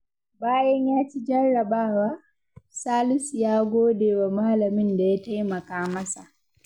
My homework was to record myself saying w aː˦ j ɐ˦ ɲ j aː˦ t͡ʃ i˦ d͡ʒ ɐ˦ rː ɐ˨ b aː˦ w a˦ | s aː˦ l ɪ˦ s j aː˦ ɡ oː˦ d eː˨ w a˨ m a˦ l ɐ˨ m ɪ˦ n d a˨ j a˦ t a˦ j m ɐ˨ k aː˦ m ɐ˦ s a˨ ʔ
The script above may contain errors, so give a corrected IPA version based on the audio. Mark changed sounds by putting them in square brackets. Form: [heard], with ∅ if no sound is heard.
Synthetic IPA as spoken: [b] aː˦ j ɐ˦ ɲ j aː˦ t͡ʃ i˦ d͡ʒ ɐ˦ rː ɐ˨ b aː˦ w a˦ | s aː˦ l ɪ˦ s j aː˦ ɡ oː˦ d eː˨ w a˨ m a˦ l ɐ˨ m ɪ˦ n d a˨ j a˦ t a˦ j m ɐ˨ k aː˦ m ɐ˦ s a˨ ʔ